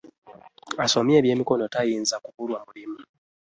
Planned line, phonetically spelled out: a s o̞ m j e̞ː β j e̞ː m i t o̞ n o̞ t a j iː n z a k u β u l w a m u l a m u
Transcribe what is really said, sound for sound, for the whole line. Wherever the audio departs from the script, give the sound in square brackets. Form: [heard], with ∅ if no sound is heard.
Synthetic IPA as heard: a s o̞ m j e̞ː β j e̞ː m i [k] o̞ n o̞ t a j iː n z a k u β u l w a m u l [i] m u